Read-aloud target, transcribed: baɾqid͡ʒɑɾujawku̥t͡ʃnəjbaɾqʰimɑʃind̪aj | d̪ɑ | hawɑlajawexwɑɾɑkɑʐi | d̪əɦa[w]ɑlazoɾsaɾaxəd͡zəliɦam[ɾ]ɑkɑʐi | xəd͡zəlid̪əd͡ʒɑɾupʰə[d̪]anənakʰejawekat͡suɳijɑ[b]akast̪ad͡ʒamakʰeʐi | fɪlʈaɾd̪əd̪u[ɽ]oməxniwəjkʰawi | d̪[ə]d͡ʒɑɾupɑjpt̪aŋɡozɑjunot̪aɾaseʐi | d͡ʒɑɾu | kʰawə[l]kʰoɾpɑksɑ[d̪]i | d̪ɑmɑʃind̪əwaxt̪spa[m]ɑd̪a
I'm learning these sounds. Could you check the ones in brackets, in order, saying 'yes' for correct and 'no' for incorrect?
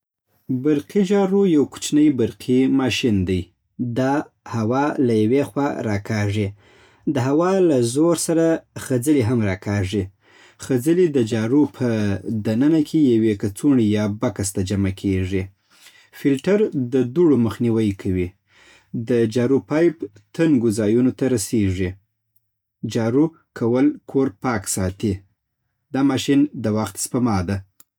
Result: yes, yes, yes, yes, yes, yes, yes, no, yes

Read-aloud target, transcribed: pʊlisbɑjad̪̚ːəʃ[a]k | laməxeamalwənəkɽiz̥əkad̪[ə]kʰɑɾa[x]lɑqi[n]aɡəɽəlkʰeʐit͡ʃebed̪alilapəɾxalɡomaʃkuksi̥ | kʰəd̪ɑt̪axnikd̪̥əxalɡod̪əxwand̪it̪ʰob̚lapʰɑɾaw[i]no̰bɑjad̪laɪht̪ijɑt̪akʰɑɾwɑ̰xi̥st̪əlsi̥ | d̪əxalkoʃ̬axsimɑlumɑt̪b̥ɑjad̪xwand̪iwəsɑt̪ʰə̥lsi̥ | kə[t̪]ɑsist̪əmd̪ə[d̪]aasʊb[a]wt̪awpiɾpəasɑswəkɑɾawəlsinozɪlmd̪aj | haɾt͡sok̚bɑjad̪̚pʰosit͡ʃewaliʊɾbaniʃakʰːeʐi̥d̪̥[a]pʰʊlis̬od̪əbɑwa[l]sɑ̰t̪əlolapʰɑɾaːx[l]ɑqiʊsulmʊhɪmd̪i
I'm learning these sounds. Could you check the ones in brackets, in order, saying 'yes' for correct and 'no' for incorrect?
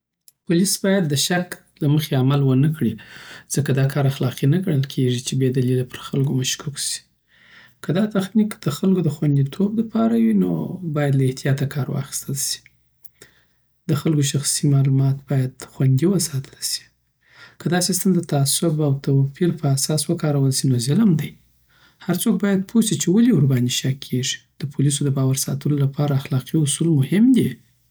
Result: yes, no, yes, yes, yes, no, no, yes, no, no, yes

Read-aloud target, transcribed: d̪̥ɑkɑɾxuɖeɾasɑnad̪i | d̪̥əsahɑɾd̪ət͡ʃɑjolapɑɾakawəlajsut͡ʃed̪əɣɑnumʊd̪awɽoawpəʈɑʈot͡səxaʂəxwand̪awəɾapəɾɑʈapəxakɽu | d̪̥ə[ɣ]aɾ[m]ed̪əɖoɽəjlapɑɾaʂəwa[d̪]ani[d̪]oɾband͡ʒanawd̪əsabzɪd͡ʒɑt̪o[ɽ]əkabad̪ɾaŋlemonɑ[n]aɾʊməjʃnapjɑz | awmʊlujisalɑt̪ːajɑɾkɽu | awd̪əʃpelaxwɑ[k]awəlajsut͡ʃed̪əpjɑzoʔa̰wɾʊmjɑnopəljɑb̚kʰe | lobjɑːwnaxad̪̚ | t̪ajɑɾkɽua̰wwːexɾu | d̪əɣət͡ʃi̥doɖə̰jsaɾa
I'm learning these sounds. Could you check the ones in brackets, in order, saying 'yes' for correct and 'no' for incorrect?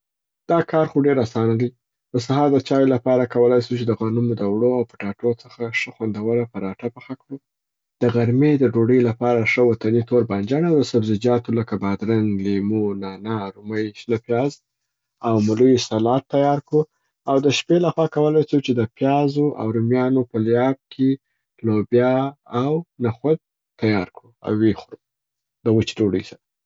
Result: yes, yes, no, no, no, yes, yes

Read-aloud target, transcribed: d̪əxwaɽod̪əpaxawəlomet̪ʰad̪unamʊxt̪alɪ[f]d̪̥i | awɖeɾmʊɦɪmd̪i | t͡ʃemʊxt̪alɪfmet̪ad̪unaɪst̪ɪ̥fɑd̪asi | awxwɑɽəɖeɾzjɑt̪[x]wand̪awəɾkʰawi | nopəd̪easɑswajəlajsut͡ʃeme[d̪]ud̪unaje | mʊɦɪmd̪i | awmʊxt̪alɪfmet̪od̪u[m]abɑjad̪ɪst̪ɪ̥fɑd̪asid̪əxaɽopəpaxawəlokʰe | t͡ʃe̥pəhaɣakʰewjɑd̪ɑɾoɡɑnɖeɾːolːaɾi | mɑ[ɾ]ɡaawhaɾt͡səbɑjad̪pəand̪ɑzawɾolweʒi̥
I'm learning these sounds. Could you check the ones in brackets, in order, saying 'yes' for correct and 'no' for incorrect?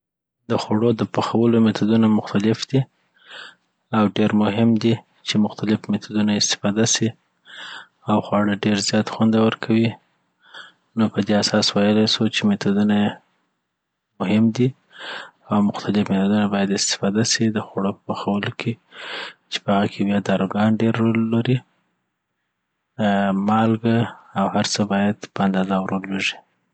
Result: yes, yes, no, no, no

